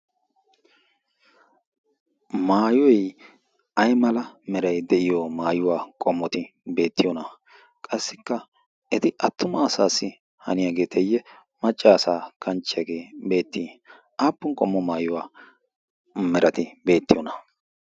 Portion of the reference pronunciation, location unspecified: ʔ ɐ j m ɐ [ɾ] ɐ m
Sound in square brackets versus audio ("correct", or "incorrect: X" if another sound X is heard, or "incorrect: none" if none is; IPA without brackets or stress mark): incorrect: l